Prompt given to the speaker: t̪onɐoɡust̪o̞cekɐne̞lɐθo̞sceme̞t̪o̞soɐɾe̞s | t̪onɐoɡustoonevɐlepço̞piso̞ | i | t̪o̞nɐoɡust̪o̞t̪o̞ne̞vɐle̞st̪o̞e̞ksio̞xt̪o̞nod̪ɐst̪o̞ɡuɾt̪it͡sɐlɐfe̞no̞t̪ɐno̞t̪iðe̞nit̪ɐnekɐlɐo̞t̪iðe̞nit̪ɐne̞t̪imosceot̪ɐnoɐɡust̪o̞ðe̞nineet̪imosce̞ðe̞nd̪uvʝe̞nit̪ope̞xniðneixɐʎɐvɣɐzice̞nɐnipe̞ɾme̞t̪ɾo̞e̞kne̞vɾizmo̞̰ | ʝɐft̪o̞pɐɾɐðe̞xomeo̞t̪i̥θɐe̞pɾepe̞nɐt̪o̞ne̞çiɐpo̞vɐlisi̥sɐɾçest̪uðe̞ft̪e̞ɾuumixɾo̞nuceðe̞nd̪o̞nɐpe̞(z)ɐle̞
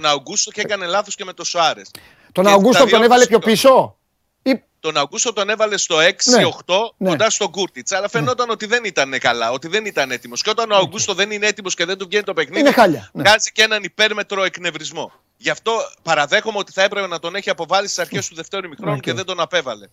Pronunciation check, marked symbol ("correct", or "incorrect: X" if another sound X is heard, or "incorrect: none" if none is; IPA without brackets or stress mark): incorrect: v